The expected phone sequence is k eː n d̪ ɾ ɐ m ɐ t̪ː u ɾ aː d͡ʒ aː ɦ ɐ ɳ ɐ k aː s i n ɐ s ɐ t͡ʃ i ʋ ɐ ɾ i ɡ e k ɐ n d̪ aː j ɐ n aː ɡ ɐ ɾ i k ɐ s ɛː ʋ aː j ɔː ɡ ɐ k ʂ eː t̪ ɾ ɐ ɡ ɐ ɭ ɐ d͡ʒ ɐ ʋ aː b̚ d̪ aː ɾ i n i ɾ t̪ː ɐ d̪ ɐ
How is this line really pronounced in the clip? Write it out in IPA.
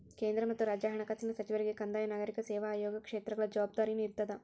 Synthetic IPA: k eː n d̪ ɾ ɐ m ɐ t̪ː u ɾ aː d͡ʒ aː ɦ ɐ ɳ ɐ k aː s i n ɐ s ɐ t͡ʃ i ʋ ɐ ɾ i ɡ e k ɐ n d̪ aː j ɐ n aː ɡ ɐ ɾ i k ɐ s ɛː ʋ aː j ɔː ɡ ɐ k ʂ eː t̪ ɾ ɐ ɡ ɐ ɭ ɐ d͡ʒ ɐ ʋ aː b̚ d̪ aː ɾ i n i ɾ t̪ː ɐ d̪ ɐ